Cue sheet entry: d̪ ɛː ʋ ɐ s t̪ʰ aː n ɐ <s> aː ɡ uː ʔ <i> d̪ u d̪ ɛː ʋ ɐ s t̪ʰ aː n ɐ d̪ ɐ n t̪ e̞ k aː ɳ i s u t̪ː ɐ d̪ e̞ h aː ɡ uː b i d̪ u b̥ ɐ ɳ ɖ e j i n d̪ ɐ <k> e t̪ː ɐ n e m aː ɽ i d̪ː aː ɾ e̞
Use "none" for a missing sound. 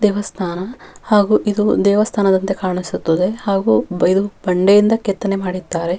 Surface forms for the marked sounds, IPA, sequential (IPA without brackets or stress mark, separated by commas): h, i, k